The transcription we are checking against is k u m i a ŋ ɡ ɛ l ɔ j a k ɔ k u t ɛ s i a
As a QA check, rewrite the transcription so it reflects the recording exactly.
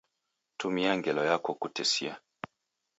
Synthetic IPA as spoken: t u m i a ŋ ɡ ɛ l ɔ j a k ɔ k u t ɛ s i a